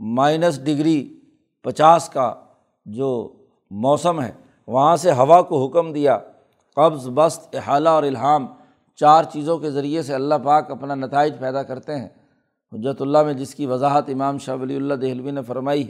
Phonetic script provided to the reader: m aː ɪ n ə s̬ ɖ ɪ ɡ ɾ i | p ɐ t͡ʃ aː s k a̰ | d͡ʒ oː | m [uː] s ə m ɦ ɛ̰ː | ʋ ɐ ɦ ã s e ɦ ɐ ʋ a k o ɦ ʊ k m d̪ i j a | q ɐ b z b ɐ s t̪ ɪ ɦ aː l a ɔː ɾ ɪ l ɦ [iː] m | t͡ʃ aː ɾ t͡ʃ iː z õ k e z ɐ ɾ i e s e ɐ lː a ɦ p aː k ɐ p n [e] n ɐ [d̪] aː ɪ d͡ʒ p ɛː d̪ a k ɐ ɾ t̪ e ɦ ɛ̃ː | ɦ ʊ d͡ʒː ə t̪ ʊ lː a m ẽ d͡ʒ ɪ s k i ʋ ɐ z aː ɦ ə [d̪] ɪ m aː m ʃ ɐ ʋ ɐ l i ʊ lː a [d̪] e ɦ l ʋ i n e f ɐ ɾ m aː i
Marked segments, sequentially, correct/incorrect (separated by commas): incorrect, incorrect, incorrect, incorrect, incorrect, correct